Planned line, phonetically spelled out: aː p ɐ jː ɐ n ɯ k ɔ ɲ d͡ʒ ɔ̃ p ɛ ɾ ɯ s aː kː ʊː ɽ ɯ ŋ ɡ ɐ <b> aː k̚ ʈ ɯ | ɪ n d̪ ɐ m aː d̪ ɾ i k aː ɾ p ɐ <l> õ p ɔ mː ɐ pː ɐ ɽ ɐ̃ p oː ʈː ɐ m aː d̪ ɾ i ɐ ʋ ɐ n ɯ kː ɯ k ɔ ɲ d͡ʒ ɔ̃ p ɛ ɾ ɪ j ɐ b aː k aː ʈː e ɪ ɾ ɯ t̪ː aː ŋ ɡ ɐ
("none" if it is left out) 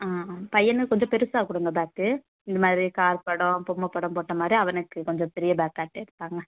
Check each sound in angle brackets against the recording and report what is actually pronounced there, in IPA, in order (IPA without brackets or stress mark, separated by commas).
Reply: b, ɽ